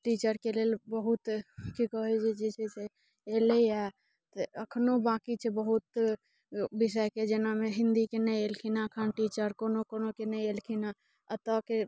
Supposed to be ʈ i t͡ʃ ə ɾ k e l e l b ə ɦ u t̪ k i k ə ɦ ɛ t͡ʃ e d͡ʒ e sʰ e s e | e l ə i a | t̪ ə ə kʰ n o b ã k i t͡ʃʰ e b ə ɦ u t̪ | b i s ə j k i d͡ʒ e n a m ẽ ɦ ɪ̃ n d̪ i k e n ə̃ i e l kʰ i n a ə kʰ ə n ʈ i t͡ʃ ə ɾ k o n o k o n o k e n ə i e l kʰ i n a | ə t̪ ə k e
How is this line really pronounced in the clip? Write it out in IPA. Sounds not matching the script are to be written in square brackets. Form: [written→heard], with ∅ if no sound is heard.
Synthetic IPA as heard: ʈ i t͡ʃ ə ɾ k e l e l b ə ɦ u t̪ k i k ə ɦ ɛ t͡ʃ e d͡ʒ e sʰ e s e | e l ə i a | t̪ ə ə kʰ n o b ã k i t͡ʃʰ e b ə ɦ u t̪ | b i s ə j k [i→e] d͡ʒ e n a m [ẽ→e] ɦ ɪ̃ n d̪ i k e n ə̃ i e l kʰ i n a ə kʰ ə n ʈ i t͡ʃ ə ɾ k o n o k o n o k e n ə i e l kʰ i n a | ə t̪ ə k e

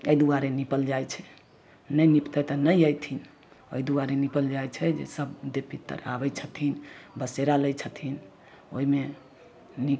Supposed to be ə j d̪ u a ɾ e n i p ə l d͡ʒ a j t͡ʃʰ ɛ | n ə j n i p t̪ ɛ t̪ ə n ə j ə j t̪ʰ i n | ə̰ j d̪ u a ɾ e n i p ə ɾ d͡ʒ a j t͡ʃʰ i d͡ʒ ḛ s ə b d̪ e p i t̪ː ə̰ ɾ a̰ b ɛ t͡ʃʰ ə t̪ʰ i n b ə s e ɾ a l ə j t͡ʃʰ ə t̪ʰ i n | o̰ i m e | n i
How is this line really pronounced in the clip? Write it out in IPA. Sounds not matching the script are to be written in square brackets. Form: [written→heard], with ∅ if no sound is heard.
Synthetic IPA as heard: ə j d̪ u a ɾ e n i p ə l d͡ʒ a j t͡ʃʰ ɛ | n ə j n i p t̪ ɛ t̪ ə n ə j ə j t̪ʰ i n | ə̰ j d̪ u a ɾ e n i p ə [ɾ→l] d͡ʒ a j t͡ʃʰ [i→ɛ] d͡ʒ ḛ s ə b d̪ e p i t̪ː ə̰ ɾ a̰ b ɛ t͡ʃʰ ə t̪ʰ i n b ə s e ɾ a l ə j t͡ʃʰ ə t̪ʰ i n | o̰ i m e | n i

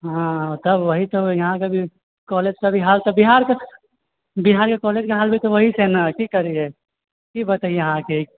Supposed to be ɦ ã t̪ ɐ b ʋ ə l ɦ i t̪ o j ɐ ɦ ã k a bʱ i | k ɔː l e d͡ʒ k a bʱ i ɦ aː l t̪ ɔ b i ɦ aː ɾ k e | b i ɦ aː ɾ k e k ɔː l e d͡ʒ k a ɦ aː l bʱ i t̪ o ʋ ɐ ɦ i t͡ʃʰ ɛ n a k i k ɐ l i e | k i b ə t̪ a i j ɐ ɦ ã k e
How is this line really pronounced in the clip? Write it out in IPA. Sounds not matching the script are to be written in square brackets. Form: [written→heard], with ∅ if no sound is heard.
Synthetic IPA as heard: ɦ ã t̪ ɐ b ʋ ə [l→∅] ɦ i t̪ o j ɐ ɦ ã k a bʱ i | k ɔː l e d͡ʒ k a bʱ i ɦ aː l t̪ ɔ b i ɦ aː ɾ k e | b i ɦ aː ɾ k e k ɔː l e d͡ʒ k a ɦ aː l bʱ i t̪ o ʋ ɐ ɦ i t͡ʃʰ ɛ n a k i k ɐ [l→ɾ] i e | k i b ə t̪ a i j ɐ ɦ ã k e

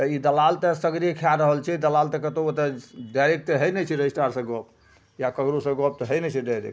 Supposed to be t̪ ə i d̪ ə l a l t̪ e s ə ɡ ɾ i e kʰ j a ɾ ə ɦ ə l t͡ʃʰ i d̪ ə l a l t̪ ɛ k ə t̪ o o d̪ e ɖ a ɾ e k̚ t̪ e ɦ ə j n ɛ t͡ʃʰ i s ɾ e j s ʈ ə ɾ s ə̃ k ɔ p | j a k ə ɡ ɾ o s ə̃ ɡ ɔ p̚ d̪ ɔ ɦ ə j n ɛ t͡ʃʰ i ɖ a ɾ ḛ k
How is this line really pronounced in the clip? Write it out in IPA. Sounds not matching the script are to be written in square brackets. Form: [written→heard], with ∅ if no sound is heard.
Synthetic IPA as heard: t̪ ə i d̪ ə l a l t̪ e s ə ɡ ɾ i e kʰ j a ɾ ə ɦ ə l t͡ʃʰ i d̪ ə l a l t̪ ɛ k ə t̪ o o [d̪→t̪] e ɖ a ɾ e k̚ t̪ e ɦ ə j n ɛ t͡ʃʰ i [s→∅] ɾ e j s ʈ [ə→a] ɾ s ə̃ [k→ɡ] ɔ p | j a k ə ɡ ɾ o s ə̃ ɡ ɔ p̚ [d̪→t̪] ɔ ɦ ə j n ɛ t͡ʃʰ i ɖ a ɾ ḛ k

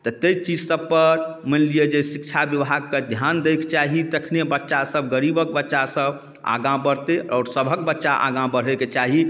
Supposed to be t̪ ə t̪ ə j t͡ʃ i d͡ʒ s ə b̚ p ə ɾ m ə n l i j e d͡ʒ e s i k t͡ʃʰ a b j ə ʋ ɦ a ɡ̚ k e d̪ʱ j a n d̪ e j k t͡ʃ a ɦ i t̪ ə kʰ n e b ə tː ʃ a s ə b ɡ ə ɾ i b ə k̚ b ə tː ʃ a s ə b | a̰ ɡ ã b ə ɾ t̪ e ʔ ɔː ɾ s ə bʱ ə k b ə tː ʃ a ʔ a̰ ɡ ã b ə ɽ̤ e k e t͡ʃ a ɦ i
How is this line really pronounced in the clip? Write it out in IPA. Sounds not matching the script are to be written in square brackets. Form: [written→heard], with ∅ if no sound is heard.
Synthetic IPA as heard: t̪ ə t̪ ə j t͡ʃ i d͡ʒ s ə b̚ p ə ɾ m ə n l i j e d͡ʒ e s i k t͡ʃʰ a b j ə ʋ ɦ a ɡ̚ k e d̪ʱ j a n d̪ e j k t͡ʃ a ɦ i t̪ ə kʰ n e b ə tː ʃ a s ə b ɡ ə ɾ i b ə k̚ b ə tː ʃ a s ə b | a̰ ɡ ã b ə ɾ t̪ e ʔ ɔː ɾ s ə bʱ ə k b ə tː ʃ a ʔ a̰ ɡ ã b ə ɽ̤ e k e t͡ʃ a ɦ i

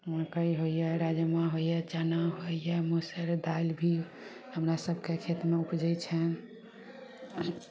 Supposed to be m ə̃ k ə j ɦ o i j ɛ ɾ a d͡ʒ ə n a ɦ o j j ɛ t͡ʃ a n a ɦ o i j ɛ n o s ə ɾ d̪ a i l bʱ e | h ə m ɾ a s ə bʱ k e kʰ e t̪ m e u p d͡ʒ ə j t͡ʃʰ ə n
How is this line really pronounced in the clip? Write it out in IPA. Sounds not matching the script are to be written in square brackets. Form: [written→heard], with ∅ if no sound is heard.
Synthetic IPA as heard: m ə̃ k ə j ɦ o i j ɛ ɾ a d͡ʒ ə [n→m] a ɦ o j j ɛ t͡ʃ a n a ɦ o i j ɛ [n→m] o s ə ɾ d̪ a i l bʱ [e→i] | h ə m ɾ a s ə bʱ k e kʰ e t̪ m e u p d͡ʒ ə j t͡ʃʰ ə n

